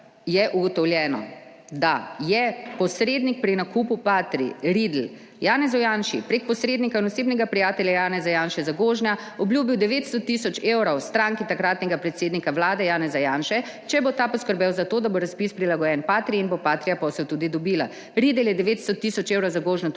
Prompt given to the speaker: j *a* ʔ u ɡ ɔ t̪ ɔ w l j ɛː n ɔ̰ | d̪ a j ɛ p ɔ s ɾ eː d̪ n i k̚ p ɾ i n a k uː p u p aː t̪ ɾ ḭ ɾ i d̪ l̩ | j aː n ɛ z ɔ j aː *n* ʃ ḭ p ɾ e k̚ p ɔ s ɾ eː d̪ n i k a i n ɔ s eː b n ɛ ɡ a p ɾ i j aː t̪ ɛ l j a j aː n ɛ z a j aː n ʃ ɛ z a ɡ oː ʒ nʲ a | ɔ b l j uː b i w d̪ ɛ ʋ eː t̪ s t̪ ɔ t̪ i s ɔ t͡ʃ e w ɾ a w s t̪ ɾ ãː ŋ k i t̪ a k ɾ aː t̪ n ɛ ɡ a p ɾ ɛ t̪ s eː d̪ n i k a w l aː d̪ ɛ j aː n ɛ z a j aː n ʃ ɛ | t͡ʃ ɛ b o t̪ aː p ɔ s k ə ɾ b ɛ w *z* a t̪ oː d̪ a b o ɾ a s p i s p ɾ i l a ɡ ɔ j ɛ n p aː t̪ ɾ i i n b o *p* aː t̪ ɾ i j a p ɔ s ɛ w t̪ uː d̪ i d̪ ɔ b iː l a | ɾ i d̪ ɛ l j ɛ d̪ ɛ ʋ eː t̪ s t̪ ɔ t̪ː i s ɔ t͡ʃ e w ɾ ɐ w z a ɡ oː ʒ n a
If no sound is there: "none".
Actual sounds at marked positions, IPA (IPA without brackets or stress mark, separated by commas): ɛ, n, z, p